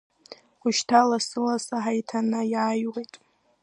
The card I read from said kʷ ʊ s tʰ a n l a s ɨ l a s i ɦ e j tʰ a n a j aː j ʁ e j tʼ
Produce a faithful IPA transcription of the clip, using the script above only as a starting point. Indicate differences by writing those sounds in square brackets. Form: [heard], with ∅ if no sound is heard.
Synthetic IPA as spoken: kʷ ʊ [ʃ] tʰ a [∅] l a s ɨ l a s [a] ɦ [a] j tʰ a n a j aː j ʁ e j tʼ